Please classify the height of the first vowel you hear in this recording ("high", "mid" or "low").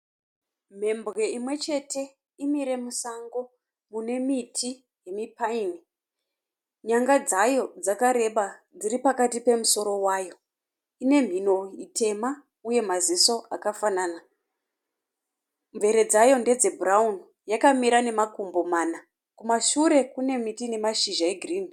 mid